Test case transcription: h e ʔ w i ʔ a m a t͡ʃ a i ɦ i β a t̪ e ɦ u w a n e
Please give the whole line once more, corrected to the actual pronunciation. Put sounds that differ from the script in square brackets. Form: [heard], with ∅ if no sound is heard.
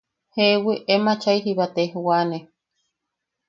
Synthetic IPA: h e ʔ w i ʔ [e] m a t͡ʃ a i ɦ i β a t̪ e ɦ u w a n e

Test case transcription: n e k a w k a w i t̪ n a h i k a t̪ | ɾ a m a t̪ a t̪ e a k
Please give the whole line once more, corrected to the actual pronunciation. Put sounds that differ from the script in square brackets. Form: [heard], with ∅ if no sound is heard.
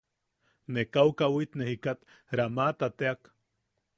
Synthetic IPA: n e k a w k a w i t̪ n [e] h i k a t̪ | ɾ a m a t̪ a t̪ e a k

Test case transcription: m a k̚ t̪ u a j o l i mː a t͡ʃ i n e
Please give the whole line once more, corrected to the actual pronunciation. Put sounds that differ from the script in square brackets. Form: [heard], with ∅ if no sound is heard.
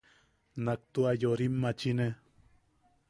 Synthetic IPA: [n] a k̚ t̪ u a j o [ɾ] i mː a t͡ʃ i n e

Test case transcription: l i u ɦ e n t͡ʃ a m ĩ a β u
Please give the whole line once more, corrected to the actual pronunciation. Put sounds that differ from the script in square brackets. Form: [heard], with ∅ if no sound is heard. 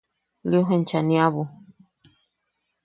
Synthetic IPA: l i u ɦ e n t͡ʃ a [n] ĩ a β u

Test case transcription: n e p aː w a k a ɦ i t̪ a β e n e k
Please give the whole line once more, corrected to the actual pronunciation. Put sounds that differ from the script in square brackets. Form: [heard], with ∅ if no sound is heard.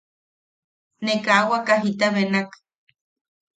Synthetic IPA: n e [k] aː w a k a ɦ i t̪ a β e n [a] k

